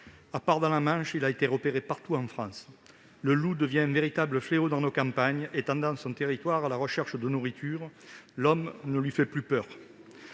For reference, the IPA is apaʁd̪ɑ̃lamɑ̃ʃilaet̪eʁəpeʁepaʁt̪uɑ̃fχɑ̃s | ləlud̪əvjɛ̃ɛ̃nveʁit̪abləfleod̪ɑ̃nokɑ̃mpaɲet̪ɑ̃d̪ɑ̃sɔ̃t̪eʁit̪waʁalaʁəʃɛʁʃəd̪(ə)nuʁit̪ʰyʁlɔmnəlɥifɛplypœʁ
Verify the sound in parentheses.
correct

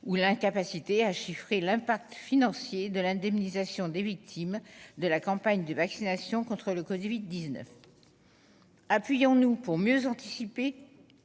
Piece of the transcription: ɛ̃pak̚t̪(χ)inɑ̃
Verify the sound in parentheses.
incorrect: f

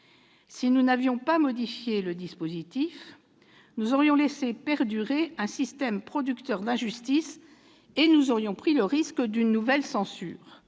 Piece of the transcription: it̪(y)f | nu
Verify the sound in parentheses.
incorrect: i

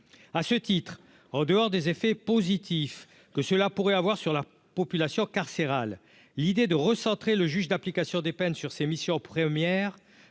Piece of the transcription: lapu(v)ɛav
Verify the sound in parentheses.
incorrect: ʁ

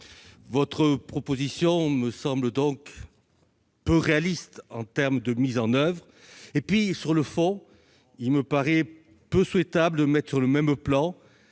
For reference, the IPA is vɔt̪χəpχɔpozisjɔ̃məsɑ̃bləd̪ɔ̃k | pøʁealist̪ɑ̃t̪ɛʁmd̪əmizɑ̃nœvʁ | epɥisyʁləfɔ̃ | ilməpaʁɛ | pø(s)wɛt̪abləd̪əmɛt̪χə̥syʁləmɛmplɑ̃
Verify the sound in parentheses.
correct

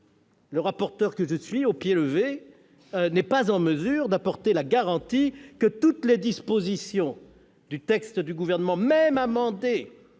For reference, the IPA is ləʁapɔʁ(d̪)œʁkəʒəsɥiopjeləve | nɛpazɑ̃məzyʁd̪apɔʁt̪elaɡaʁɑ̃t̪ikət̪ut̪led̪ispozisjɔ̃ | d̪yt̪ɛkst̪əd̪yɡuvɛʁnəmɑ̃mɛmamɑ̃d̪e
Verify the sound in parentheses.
incorrect: t̪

